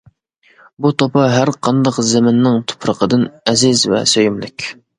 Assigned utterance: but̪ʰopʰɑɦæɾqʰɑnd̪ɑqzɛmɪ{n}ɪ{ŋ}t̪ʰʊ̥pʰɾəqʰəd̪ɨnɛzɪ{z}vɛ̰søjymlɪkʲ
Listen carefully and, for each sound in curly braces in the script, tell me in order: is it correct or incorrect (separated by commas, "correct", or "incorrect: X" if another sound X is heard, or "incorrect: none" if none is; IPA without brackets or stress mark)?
incorrect: nː, correct, correct